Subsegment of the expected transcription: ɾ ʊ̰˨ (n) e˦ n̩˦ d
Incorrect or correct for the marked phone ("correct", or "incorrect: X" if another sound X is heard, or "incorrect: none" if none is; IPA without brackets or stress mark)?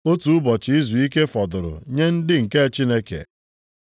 incorrect: ɲ